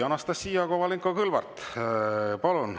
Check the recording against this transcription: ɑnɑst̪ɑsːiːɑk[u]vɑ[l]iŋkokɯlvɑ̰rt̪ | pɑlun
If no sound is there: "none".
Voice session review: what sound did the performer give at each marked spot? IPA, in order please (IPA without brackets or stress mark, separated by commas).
o, l